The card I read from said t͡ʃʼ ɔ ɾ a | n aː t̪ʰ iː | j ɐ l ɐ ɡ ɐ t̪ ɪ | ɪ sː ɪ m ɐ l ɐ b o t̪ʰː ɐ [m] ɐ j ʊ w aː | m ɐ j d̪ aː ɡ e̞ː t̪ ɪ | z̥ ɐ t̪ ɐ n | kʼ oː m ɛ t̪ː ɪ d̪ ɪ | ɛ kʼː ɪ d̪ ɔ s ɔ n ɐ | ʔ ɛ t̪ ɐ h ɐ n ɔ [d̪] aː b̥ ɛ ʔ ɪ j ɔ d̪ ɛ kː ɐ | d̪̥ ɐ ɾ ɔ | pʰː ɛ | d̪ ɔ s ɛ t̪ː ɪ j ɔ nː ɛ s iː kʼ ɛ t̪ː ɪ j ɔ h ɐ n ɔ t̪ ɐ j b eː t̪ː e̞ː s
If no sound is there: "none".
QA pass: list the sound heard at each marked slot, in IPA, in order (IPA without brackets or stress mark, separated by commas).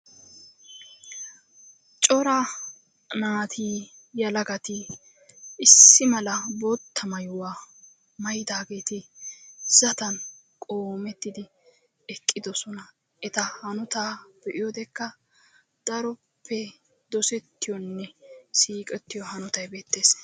m, t̪